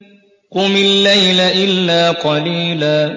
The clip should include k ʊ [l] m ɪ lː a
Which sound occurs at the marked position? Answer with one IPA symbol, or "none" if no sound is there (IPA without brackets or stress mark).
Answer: none